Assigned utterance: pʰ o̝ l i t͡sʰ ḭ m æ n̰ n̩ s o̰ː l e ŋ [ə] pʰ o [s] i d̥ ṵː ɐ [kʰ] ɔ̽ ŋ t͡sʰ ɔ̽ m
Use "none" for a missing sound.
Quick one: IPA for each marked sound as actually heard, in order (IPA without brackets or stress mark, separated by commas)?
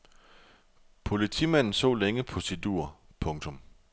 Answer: ə, s, pʰ